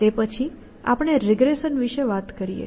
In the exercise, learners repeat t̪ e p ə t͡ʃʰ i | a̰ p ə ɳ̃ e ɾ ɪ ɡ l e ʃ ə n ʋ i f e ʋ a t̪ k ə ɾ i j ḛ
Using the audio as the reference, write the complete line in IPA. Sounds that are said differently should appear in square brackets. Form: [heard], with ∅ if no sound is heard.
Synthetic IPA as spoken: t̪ e p ə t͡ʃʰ i | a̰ p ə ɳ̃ e ɾ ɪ ɡ [ɾ] e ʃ ə n ʋ i [ʃ] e ʋ a t̪ k ə ɾ i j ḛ